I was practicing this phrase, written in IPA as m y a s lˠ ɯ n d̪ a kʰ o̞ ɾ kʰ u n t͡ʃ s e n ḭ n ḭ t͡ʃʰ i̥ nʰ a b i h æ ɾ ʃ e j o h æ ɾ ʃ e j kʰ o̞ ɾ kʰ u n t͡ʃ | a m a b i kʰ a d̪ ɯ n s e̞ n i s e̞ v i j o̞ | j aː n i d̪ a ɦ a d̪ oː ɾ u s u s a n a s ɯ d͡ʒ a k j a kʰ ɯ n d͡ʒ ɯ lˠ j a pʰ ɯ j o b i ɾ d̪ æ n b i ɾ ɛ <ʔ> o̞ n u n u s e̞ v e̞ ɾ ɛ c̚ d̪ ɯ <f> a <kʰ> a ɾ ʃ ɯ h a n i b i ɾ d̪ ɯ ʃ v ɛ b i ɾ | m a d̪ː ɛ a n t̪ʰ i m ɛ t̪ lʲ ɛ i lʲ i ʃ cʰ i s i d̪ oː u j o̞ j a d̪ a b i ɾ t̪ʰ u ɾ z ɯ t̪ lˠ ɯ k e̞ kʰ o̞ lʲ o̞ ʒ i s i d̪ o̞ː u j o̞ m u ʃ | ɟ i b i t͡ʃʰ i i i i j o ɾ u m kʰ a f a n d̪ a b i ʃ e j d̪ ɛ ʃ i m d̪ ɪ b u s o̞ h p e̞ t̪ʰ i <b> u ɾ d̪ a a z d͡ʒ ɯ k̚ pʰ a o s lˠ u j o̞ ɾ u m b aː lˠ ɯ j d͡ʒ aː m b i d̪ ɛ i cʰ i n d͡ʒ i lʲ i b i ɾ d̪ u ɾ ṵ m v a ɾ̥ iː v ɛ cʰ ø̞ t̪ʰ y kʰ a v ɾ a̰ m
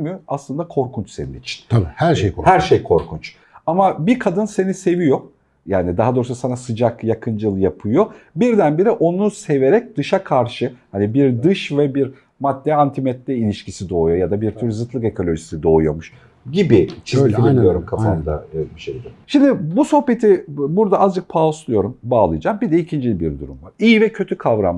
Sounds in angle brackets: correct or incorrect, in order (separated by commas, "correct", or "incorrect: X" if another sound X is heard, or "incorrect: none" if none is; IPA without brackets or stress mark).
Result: correct, incorrect: ʃ, correct, correct